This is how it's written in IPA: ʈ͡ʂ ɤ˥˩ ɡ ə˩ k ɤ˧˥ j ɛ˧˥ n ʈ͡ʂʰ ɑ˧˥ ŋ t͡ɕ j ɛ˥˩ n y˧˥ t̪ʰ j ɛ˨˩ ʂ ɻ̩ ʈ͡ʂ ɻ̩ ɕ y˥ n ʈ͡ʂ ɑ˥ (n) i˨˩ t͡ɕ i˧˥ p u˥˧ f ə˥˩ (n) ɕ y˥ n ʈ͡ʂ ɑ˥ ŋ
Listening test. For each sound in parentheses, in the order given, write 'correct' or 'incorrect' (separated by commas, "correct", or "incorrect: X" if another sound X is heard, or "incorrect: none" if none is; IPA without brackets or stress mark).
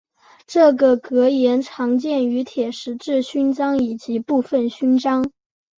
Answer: incorrect: ŋ, correct